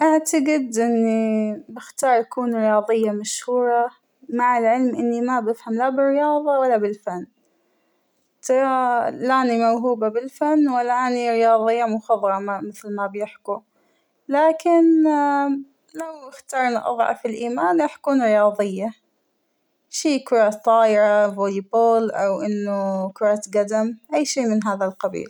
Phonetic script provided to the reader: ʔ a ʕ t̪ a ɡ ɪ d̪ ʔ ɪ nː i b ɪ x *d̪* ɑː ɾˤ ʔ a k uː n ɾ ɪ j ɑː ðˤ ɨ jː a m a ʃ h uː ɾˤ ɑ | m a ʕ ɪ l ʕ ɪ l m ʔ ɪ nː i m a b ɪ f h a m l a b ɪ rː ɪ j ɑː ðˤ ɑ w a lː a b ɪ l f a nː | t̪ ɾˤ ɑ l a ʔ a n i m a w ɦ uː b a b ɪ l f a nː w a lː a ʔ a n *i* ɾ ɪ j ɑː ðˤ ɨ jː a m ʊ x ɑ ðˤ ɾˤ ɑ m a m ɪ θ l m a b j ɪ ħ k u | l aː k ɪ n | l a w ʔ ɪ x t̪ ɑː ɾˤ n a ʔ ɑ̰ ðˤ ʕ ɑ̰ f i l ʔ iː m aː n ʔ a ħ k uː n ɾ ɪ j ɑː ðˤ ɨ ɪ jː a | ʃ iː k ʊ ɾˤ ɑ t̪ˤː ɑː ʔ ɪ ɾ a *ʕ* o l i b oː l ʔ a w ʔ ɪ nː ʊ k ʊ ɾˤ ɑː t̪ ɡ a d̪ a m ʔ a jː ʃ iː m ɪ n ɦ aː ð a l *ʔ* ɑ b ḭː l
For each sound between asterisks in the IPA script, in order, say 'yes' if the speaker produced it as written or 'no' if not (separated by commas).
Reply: no, yes, no, no